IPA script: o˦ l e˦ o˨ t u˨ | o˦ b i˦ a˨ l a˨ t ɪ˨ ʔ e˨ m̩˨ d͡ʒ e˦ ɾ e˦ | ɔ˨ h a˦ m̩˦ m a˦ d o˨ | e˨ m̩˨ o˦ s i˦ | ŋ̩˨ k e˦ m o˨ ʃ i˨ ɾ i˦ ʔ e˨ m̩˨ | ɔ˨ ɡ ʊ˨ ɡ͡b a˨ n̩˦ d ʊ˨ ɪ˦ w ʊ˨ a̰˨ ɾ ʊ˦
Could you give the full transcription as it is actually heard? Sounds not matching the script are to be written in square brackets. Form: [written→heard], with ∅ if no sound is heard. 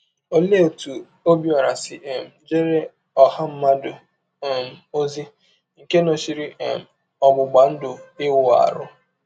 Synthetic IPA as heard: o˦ l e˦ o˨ t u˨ | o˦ b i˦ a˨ [l→ɾ] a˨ [t→s] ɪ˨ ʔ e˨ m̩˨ d͡ʒ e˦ ɾ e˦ | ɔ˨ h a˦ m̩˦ m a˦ d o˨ | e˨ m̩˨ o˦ [s→z] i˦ | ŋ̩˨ k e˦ [m→n] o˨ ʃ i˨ ɾ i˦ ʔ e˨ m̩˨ | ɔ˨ [ɡ→ɡ͡b] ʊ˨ ɡ͡b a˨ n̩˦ d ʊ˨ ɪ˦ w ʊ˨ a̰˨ ɾ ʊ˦

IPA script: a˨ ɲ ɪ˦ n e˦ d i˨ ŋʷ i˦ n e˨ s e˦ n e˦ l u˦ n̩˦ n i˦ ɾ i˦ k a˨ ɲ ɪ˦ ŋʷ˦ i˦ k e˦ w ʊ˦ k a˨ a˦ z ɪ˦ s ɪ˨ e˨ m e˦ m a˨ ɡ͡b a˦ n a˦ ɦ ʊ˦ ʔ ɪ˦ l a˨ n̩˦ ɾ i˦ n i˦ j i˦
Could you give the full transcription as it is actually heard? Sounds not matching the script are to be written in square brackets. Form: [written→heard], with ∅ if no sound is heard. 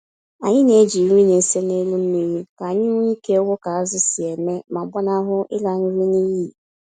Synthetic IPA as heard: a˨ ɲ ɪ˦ n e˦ [d→d͡ʒ] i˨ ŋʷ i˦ n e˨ s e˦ n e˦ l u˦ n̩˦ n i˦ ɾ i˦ k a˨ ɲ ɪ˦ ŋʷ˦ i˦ k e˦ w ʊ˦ k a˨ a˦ z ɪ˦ s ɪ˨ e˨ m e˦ m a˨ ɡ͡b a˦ n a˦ ɦ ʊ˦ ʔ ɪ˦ l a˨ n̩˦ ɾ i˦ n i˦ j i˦

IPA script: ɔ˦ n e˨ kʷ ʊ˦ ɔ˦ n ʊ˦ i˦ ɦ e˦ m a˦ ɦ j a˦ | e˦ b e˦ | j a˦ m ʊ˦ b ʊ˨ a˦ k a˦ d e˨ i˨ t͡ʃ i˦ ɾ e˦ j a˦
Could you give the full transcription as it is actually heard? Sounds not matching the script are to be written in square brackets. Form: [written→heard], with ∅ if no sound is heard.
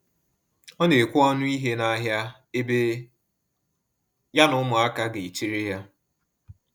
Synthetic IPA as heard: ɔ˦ n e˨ kʷ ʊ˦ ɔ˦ n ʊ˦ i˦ ɦ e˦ [m→n] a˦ ɦ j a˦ | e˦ b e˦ | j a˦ [m→n] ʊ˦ [b→m] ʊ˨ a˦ k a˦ [d→ɡ] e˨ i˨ t͡ʃ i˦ ɾ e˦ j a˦

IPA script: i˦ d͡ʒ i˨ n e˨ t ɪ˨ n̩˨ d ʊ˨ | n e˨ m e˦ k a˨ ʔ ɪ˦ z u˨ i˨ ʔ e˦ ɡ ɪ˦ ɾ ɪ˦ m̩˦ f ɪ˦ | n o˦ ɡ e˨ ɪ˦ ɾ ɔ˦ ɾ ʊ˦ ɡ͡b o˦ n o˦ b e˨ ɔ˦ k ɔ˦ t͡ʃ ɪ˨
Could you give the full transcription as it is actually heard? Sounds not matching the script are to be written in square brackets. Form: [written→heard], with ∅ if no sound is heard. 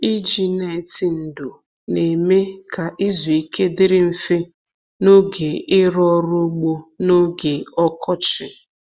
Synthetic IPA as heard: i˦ d͡ʒ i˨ n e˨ t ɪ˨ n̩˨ d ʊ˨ | n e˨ m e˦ k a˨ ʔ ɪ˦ z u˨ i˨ [ʔ→k] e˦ [ɡ→d] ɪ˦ ɾ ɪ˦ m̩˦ f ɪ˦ | n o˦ ɡ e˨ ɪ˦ ɾ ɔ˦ ɾ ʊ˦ ɡ͡b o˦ n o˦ [b→ɡ] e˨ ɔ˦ k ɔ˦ t͡ʃ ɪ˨

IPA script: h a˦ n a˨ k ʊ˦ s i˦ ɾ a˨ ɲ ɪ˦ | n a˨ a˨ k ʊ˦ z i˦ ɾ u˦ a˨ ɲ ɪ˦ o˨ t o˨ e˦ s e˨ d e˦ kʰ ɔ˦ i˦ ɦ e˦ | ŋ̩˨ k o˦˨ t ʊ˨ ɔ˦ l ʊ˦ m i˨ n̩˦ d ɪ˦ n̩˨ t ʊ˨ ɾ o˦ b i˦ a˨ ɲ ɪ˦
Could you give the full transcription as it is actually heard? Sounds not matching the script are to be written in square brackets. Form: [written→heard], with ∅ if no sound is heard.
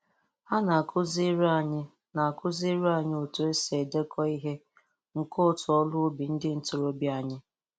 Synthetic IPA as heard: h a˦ n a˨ k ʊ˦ [s→z] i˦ ɾ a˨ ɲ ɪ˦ | n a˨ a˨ k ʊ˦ z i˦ ɾ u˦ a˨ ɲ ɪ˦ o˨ t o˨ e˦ s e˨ d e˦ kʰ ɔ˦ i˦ ɦ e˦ | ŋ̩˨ k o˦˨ t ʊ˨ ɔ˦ l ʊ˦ [m→b] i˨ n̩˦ d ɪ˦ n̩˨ t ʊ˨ ɾ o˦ b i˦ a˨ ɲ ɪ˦

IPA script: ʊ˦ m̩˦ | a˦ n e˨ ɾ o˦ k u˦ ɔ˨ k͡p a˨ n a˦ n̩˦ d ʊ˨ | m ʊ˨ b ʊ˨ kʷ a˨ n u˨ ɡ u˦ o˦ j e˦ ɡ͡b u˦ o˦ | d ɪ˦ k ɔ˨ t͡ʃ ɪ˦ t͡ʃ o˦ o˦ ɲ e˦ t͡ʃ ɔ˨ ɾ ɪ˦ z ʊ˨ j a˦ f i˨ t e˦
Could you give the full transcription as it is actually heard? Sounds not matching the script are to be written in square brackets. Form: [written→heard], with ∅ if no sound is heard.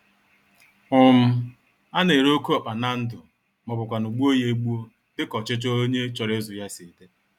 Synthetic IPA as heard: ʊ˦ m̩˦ | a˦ n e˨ ɾ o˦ k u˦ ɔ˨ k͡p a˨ n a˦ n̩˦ d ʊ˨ | m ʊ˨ b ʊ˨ kʷ a˨ n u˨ [ɡ→ɡ͡b] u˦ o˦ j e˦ ɡ͡b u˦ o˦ | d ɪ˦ k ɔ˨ t͡ʃ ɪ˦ t͡ʃ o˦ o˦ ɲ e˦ t͡ʃ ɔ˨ ɾ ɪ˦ z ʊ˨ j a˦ [f→s] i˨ t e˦

